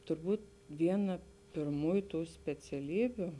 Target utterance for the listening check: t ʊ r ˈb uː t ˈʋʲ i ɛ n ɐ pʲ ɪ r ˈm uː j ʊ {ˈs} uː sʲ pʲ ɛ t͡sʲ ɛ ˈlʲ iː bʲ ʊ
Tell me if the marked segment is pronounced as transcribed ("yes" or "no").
no